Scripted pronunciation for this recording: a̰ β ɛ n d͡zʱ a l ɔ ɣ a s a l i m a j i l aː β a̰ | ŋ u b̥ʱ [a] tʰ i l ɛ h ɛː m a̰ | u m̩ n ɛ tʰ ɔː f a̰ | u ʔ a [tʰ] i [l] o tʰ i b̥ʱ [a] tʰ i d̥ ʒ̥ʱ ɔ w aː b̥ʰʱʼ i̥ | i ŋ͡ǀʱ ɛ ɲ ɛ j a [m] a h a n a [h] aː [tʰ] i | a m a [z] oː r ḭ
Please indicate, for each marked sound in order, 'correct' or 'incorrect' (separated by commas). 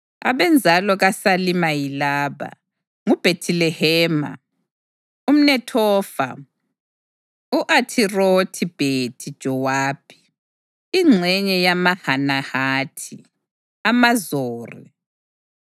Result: incorrect, correct, incorrect, incorrect, correct, correct, correct, correct